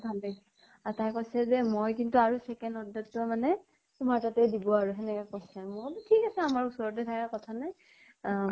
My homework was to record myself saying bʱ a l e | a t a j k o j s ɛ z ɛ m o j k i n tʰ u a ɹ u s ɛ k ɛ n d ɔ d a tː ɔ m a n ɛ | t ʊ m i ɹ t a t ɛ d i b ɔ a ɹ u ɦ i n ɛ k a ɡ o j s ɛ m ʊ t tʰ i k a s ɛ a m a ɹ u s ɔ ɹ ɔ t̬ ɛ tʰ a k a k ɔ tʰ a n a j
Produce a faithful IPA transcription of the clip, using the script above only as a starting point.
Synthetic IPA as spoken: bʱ a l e | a t a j k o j s ɛ z ɛ m o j k i n t u a ɹ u s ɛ k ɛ n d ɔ d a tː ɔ m a n ɛ | t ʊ m a ɹ t a t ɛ d i b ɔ a ɹ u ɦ ɛ n ɛ k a k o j s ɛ m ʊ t tʰ i k a s ɛ a m a ɹ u s ɔ ɹ ɔ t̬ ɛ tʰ a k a k ɔ tʰ a n a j